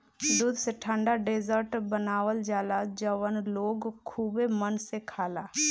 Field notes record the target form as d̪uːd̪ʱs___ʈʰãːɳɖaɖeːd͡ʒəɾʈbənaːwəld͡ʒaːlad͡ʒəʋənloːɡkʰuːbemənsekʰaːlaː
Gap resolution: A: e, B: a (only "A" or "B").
A